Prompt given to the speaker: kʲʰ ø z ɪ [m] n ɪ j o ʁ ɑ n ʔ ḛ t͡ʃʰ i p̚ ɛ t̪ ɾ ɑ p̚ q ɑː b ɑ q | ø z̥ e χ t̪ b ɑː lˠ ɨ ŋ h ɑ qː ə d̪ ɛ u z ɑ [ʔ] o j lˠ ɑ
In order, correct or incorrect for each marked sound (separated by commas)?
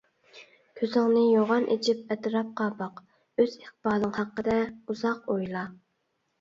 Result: incorrect, incorrect